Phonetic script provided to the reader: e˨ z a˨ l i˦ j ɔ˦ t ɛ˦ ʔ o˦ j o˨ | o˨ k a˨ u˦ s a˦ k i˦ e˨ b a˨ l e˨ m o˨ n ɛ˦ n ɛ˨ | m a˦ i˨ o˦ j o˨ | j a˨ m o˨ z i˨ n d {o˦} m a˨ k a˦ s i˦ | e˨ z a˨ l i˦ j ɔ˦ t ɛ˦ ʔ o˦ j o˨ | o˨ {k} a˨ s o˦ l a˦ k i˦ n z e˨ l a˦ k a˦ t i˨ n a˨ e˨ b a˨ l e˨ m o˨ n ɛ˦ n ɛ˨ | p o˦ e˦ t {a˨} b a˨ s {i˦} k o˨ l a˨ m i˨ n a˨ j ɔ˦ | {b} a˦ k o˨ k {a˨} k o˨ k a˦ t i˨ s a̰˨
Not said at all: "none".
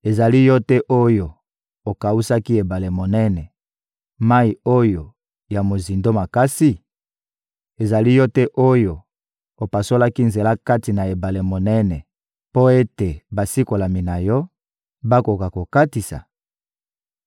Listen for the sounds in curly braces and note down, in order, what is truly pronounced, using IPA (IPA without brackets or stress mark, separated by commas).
o˦, p, e˨, i˦, b, a˨